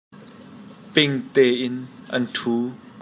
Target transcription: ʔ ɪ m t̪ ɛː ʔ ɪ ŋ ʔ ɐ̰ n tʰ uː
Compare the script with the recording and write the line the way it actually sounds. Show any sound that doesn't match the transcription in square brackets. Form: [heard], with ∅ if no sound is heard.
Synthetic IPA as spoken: [p] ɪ [ŋ] t̪ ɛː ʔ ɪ [n] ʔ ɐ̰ n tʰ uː